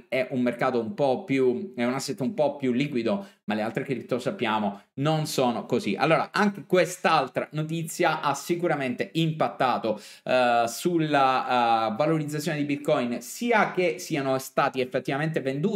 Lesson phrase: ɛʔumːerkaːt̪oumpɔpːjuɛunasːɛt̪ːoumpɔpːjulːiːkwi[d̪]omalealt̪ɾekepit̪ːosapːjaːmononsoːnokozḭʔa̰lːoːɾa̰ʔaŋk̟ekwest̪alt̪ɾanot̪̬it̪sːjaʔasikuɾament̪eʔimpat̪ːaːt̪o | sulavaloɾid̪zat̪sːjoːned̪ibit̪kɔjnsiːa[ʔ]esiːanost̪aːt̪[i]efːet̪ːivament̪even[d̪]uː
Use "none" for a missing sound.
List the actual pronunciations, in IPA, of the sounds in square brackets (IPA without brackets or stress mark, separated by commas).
d̪, k, i, d̪